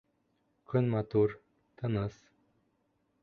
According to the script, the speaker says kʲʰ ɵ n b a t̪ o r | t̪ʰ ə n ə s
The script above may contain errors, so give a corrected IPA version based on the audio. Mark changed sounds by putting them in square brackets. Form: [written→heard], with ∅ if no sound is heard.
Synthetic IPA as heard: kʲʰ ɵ n [b→m] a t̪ [o→u] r | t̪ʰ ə n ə s